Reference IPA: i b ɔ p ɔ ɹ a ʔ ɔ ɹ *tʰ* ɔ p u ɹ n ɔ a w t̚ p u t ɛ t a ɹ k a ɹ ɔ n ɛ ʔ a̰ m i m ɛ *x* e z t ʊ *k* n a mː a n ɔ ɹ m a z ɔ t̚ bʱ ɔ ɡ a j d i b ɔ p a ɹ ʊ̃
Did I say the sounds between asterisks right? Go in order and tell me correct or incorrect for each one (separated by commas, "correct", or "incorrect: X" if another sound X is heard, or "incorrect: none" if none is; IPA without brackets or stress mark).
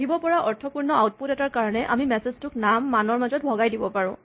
correct, incorrect: s, correct